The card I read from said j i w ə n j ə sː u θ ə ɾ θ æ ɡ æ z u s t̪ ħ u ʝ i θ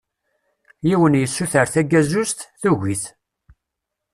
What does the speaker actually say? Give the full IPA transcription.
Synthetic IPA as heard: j i w ə n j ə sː u θ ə ɾ θ æ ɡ æ z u s t̪ θ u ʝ i θ